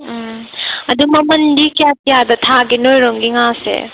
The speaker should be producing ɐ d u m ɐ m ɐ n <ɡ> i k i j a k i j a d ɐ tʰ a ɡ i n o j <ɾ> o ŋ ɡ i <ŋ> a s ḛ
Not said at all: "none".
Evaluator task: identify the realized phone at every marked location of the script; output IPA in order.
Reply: d, ɾ, ŋ

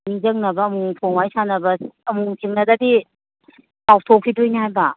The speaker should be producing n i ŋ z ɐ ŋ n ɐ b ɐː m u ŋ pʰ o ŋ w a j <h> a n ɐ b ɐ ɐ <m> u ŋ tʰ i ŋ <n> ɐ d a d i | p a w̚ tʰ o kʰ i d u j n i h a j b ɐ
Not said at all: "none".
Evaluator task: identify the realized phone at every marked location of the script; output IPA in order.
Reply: s, m, n

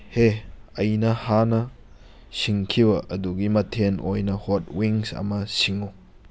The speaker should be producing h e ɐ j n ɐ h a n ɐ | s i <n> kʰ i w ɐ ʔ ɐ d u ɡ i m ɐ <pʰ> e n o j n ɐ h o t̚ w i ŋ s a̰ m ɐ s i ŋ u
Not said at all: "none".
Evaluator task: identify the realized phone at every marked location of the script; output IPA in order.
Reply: ŋ, tʰ

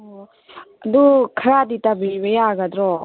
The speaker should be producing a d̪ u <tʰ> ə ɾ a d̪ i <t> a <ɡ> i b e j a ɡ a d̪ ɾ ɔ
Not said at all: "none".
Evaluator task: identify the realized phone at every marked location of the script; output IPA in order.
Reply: kʰ, t, b

